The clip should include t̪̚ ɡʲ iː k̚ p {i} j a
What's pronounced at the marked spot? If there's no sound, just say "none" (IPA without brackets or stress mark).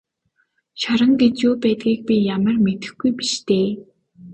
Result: i